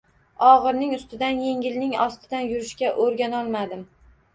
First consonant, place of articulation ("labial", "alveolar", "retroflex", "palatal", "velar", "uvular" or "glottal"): uvular